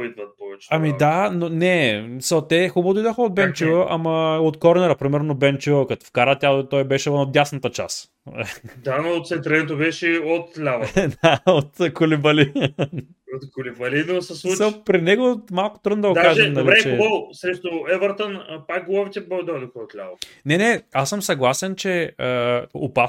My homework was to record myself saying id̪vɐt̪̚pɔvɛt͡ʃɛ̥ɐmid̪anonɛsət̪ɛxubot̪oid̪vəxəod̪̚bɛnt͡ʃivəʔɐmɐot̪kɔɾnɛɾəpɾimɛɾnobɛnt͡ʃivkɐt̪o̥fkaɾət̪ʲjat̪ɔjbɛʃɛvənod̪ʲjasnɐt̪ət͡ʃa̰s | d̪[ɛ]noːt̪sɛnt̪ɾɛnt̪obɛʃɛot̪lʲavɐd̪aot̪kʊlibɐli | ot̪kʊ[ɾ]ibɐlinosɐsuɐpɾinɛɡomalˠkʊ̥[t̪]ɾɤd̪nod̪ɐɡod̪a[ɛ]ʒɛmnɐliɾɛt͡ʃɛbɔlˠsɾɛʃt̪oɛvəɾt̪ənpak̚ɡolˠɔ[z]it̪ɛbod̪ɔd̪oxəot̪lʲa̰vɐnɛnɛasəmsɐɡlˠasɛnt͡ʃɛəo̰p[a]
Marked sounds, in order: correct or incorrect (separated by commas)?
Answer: incorrect, incorrect, correct, incorrect, incorrect, correct